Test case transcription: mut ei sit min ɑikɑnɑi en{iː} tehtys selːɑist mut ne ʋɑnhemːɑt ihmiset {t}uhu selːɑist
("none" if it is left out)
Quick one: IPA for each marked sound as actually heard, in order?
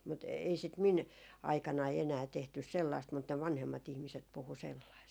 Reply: æː, p

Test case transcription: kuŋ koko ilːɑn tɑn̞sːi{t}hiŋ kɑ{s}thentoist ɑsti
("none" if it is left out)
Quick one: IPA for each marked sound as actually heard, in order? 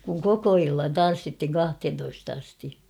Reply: t, h

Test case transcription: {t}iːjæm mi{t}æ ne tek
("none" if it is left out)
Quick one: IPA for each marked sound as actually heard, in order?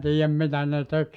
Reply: t, t

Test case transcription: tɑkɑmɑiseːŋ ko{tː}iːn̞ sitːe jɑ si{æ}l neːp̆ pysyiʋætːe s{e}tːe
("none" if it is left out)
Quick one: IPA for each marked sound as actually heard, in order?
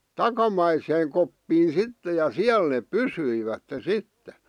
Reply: pː, æ, i

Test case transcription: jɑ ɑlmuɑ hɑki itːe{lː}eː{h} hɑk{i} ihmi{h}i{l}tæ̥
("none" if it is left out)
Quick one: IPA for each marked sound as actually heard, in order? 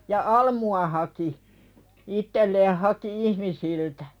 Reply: lː, h, i, s, l

